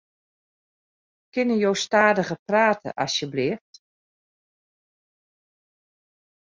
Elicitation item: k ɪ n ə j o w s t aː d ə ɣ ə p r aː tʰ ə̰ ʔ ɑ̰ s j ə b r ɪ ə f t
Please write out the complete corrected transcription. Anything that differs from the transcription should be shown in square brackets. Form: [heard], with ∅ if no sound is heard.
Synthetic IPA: k ɪ n ə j o w s t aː d ə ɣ ə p r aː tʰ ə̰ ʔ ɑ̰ s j ə b [l] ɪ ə f t